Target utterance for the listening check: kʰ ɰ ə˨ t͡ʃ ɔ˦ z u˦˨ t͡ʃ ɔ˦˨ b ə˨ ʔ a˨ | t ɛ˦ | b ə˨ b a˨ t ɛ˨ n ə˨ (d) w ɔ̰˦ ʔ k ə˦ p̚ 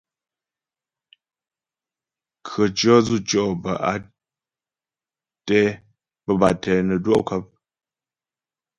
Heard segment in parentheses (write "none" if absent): d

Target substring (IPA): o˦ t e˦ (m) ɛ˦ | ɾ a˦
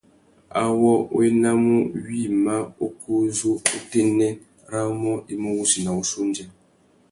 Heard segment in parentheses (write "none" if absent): n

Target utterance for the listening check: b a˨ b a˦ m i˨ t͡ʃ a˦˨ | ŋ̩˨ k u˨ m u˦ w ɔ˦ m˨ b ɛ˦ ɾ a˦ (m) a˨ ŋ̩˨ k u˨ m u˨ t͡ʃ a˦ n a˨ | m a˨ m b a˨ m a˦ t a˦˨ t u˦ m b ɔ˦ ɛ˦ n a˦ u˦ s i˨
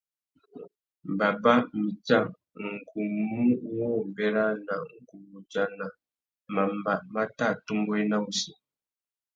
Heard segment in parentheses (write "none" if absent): n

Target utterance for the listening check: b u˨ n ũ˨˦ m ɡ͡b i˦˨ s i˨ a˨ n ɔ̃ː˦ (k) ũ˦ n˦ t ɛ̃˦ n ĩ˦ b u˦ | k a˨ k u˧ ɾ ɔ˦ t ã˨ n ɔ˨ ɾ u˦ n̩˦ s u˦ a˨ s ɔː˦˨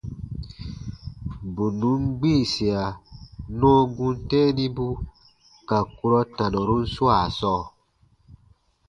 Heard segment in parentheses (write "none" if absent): ɡ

